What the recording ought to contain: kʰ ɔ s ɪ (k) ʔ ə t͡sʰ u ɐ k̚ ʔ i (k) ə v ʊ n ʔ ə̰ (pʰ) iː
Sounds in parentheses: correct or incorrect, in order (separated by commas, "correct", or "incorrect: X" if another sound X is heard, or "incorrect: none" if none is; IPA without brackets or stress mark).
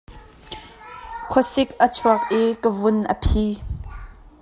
correct, correct, correct